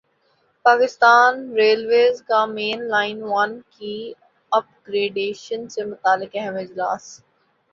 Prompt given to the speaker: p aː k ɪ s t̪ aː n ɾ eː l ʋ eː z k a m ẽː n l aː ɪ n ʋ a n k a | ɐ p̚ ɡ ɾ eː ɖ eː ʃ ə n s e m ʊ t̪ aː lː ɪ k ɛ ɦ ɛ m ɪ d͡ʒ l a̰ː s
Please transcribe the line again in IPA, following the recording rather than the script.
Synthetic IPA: p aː k ɪ s t̪ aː n ɾ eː l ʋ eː z k a m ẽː n l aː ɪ n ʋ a n k i | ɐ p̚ ɡ ɾ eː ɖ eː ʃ ə n s e m ʊ t̪ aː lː ɪ k ɛ ɦ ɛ m ɪ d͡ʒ l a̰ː s

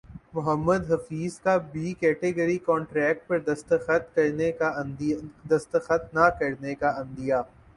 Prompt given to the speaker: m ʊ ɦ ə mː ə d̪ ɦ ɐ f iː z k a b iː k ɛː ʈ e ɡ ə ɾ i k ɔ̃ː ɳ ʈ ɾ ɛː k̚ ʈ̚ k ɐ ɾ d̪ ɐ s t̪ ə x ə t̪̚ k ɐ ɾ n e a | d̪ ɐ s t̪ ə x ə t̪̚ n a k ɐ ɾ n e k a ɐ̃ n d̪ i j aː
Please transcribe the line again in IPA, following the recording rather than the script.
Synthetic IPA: m ʊ ɦ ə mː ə d̪ ɦ ɐ f iː z k a b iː k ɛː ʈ e ɡ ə ɾ i k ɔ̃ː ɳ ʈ ɾ ɛː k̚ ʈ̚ p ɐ ɾ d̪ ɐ s t̪ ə x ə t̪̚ k ɐ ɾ n e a | d̪ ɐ s t̪ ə x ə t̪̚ n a k ɐ ɾ n e k a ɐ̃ n d̪ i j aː

